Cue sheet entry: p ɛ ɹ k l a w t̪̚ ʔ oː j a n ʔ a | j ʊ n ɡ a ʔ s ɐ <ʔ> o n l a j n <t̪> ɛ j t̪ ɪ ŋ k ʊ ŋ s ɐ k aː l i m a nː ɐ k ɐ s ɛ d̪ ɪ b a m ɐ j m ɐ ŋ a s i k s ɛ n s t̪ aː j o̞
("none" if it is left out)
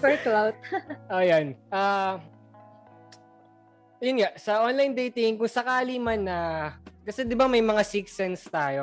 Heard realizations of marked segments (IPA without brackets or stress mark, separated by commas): ʔ, d̪